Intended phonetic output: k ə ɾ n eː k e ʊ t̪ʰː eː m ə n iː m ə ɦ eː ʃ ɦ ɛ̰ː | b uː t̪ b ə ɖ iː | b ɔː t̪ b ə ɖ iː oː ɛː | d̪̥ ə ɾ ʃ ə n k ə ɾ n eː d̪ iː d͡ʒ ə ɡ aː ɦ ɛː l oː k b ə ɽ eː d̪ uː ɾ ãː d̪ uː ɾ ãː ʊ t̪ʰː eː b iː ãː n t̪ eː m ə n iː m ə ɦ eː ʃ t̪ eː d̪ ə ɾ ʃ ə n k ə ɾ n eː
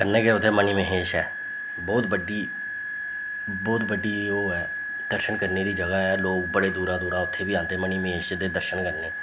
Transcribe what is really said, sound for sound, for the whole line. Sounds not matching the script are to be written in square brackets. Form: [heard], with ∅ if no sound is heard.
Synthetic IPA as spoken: k ə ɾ n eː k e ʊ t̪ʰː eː m ə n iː m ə ɦ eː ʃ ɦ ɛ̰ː | b [ɔː] t̪ b ə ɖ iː | b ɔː t̪ b ə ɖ iː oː ɛː | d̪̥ ə ɾ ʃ ə n k ə ɾ n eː d̪ iː d͡ʒ ə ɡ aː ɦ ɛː l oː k b ə ɽ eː d̪ uː ɾ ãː d̪ uː ɾ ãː ʊ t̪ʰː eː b iː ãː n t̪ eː m ə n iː m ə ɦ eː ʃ [d̪] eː d̪ ə ɾ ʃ ə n k ə ɾ n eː